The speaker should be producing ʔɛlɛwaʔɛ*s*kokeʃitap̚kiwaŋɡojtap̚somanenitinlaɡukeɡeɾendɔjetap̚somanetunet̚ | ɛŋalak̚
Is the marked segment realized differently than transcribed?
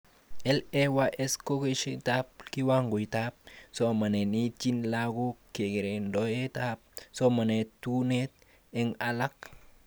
no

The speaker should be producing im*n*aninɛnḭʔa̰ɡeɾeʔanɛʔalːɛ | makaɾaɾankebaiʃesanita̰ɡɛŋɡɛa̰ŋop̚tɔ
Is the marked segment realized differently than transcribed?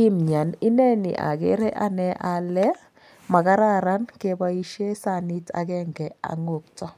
yes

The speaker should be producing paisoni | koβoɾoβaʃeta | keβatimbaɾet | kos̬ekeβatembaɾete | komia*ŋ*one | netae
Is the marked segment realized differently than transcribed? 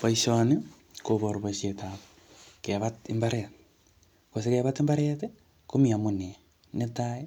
yes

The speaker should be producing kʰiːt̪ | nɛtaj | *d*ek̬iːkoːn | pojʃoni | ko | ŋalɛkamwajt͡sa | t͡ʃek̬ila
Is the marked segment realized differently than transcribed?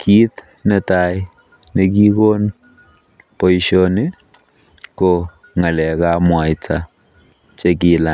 yes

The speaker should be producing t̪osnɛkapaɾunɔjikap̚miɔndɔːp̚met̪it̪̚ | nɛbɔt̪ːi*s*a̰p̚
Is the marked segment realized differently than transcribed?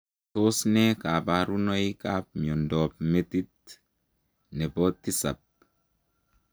no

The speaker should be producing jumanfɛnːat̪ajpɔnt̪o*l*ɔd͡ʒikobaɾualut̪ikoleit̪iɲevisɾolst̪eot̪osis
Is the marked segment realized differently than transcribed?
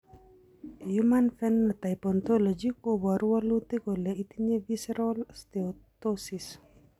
no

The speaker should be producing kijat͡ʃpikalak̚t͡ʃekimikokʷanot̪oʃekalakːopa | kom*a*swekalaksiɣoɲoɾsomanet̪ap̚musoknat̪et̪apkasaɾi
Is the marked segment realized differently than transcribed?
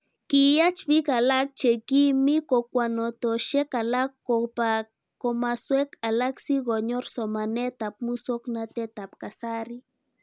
no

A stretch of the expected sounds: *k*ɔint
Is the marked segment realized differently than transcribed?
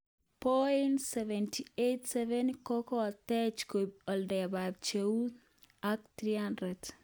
yes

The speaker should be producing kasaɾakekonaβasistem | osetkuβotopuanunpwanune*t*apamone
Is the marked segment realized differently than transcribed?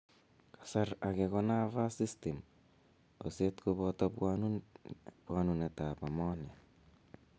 no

